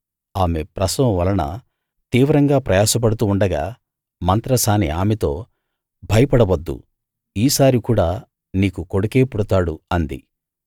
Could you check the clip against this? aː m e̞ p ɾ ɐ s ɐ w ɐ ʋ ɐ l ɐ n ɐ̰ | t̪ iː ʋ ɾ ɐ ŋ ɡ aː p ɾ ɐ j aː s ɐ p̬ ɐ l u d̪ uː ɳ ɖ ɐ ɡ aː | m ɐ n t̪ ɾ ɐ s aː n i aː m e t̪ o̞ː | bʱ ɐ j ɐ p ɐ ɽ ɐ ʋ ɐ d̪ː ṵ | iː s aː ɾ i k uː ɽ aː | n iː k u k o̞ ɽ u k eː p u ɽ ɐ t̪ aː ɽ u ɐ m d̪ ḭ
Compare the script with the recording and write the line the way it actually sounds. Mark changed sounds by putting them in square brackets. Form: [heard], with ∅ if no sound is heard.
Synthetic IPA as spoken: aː m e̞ p ɾ ɐ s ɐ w ɐ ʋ ɐ l ɐ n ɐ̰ | t̪ iː ʋ ɾ ɐ ŋ ɡ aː p ɾ ɐ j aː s ɐ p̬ ɐ [ɽ] u [t̪] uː ɳ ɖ ɐ ɡ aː | m ɐ n t̪ ɾ ɐ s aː n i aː m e t̪ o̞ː | bʱ ɐ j ɐ p ɐ ɽ ɐ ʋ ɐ d̪ː ṵ | iː s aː ɾ i k uː ɽ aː | n iː k u k o̞ ɽ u k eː p u ɽ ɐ t̪ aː ɽ u ɐ [n] d̪ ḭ